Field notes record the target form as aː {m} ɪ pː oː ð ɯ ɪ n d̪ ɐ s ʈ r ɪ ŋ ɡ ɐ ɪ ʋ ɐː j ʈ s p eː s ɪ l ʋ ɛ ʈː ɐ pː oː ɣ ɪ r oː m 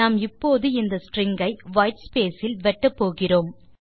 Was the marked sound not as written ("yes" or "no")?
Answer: no